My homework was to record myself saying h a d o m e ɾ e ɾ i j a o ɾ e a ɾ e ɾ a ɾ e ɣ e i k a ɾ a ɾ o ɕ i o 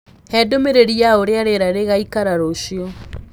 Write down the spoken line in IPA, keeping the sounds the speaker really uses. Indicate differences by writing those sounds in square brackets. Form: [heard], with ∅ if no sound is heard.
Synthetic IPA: h [ɛ] d o m e ɾ e ɾ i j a o ɾ e a ɾ e ɾ a ɾ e ɣ [a] i k a ɾ a ɾ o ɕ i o